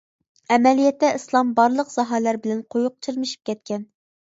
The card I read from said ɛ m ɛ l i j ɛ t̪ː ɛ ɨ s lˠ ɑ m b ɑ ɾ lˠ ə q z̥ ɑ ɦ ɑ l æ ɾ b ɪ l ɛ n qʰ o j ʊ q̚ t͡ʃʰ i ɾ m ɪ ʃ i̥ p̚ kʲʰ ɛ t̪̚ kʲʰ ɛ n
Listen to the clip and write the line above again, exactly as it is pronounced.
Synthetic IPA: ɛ m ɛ l i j ɛ t̪ː ɛ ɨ s lˠ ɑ m b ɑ ɾ lˠ ə q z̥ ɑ ɦ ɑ l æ ɾ b ɪ l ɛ n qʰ o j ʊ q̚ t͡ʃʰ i ɾ m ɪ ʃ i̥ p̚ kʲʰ ɛ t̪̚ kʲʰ ɛ n